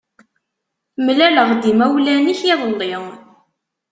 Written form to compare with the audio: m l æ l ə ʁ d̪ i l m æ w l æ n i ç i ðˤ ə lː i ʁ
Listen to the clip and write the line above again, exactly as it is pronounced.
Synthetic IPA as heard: m l æ l ə ʁ d̪ i m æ w l æ n i ç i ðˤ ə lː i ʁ